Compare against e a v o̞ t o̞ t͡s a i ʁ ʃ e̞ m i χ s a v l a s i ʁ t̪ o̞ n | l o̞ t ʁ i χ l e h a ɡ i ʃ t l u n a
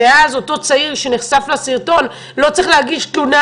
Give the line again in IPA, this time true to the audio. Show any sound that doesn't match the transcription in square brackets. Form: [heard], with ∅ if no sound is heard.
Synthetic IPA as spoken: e a [z] o̞ t o̞ t͡s a i ʁ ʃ e̞ [n] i χ s a [f] l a s i ʁ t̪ o̞ n | l o̞ [t͡s] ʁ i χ l e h a ɡ i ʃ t l u n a